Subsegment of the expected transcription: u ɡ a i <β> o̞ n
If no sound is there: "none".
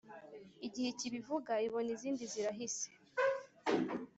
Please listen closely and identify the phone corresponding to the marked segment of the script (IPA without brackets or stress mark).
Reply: β